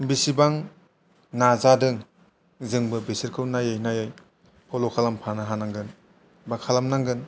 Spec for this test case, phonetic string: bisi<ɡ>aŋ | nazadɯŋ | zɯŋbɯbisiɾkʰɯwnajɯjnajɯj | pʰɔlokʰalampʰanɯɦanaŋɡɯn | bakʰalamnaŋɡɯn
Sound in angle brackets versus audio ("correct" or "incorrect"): incorrect